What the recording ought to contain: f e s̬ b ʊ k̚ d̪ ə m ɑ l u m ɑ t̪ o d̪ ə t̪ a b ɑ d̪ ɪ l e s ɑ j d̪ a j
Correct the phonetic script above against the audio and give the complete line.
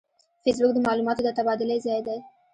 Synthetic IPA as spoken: f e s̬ b ʊ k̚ d̪ ə m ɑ l u m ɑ t̪ o d̪ ə t̪ a b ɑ d̪ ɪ l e z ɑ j d̪ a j